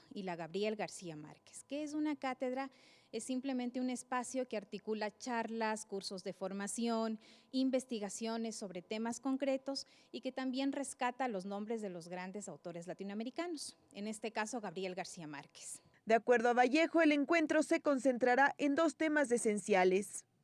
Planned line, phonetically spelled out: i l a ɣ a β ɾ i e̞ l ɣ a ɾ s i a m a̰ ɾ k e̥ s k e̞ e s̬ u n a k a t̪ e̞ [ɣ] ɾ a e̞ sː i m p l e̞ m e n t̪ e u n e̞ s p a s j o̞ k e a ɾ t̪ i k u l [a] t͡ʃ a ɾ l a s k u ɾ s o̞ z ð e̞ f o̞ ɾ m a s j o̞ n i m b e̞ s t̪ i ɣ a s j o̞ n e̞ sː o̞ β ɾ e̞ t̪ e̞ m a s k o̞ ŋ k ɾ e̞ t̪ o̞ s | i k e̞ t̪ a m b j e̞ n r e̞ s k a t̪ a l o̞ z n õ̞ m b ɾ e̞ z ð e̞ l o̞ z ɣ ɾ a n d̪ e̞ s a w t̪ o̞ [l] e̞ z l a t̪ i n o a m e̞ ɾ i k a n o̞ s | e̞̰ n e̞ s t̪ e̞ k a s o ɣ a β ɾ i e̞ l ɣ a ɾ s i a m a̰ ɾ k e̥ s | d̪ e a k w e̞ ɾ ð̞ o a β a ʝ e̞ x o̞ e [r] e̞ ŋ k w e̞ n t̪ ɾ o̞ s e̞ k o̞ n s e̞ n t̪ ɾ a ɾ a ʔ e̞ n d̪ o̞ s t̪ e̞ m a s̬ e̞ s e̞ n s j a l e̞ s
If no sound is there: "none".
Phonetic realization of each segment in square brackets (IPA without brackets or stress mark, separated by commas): ð, a, ɾ, l